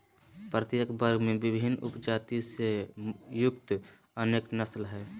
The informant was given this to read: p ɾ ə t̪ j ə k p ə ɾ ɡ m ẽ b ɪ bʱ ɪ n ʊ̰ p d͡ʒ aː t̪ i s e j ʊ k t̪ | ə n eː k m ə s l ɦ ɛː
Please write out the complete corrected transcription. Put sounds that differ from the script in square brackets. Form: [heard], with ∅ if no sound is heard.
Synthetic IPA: p ɾ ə t̪ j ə k [b] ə ɾ ɡ m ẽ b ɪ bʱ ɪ n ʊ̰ p d͡ʒ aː t̪ i s e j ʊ k t̪ | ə n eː k [n] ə s l ɦ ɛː